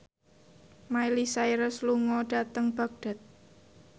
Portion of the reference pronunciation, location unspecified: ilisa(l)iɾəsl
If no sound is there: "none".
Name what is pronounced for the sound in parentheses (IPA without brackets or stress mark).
none